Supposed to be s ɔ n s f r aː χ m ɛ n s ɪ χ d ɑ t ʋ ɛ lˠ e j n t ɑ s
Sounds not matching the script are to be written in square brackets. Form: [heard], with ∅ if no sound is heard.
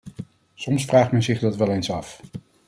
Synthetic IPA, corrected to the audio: s ɔ [m] s f r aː χ m ɛ n [z] ɪ χ d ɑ t ʋ ɛ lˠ e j n [s] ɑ [f]